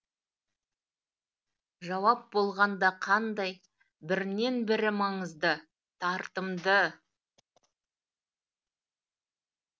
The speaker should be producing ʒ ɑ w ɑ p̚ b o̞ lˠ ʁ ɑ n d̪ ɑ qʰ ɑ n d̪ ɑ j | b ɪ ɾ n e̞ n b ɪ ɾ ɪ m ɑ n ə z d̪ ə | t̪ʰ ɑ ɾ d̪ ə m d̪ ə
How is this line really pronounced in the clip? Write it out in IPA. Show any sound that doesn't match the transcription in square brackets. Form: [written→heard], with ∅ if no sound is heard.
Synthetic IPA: ʒ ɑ w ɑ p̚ b o̞ lˠ ʁ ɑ n d̪ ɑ qʰ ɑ n d̪ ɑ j | b ɪ ɾ n e̞ n b ɪ ɾ ɪ m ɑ [n→ɴ] ə z d̪ ə | t̪ʰ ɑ ɾ [d̪→t̪] ə m d̪ ə